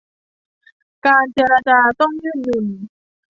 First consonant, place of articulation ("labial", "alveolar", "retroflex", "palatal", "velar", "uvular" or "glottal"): velar